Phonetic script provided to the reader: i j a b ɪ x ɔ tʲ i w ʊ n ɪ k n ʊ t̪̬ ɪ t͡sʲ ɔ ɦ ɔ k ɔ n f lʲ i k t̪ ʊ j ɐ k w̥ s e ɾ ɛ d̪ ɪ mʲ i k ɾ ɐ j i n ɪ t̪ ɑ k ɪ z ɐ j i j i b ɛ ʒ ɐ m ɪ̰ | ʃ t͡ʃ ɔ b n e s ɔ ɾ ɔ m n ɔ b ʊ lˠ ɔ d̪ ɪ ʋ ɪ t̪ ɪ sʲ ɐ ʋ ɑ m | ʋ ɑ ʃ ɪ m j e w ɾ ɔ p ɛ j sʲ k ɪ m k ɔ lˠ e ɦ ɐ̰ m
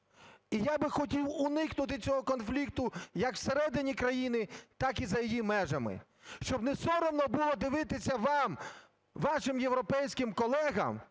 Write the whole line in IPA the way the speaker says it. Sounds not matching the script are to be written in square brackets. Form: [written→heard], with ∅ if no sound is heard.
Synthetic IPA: i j a b ɪ x ɔ tʲ i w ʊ n ɪ k n ʊ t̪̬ ɪ t͡sʲ ɔ ɦ ɔ k ɔ n f lʲ i k t̪ ʊ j ɐ k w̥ s e ɾ ɛ d̪ ɪ [mʲ→nʲ] i k ɾ ɐ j i n ɪ t̪ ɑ k [ɪ→i] z ɐ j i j i [b→m] ɛ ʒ ɐ m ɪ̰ | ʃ t͡ʃ ɔ b n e s ɔ ɾ ɔ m n ɔ b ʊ lˠ ɔ d̪ ɪ ʋ ɪ t̪ ɪ sʲ ɐ ʋ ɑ m | ʋ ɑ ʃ ɪ m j e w ɾ ɔ p ɛ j sʲ k ɪ m k ɔ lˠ [e→ɛ] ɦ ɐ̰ m